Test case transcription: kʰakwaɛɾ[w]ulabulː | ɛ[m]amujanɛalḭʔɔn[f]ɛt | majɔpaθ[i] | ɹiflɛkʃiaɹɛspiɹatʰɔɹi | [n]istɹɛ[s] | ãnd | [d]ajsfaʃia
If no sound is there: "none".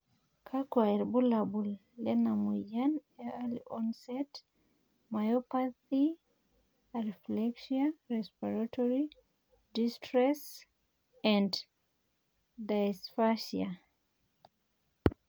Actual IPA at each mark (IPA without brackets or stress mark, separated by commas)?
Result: b, n, s, i, d, s, d